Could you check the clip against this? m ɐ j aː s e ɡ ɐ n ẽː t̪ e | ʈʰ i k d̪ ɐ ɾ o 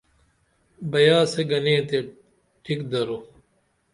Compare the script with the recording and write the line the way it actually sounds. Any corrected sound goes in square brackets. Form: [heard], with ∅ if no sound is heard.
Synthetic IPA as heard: [b] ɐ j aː s e ɡ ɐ n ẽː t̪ e | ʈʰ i k d̪ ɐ ɾ o

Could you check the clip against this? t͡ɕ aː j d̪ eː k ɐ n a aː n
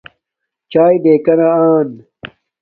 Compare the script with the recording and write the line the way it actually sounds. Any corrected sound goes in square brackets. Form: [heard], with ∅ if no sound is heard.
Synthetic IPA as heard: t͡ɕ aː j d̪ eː k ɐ n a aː n

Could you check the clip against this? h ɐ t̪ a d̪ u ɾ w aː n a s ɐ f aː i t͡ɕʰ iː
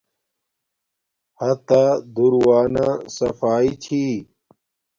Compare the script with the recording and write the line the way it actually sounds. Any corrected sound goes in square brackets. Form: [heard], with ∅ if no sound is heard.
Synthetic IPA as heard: h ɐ t̪ a d̪ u ɾ w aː n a s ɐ f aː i t͡ɕʰ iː

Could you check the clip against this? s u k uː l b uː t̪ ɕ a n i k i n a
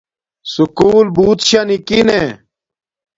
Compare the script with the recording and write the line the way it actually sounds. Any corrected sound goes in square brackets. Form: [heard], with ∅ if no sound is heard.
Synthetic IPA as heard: s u k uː l b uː t̪ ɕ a n i k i n [e]

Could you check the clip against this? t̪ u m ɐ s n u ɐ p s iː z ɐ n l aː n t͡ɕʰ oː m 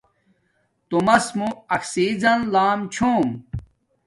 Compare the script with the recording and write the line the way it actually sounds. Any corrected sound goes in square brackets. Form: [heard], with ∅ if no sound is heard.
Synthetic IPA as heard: t̪ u m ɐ s [m] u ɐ [k] s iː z ɐ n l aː [m] t͡ɕʰ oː m

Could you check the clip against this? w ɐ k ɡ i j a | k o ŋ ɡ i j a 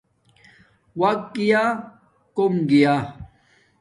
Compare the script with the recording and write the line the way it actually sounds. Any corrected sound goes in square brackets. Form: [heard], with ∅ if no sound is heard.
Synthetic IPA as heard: w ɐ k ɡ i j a | k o [m] ɡ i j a

